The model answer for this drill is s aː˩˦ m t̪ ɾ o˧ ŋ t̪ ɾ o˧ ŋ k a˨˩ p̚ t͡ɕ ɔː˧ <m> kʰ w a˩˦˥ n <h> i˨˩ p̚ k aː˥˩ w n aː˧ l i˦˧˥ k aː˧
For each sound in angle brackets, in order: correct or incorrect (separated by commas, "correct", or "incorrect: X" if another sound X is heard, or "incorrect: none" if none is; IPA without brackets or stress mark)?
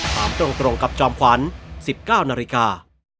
correct, incorrect: s